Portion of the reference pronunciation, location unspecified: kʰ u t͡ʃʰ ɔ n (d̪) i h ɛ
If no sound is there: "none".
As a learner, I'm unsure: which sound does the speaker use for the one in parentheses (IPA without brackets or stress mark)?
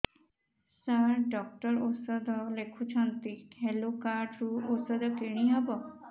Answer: t̪